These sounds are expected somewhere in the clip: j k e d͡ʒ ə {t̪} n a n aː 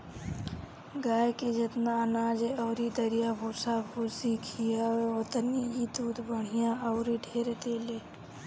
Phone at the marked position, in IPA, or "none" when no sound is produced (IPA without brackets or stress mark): t̪